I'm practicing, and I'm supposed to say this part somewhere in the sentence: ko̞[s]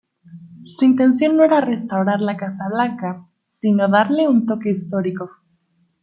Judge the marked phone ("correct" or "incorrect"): incorrect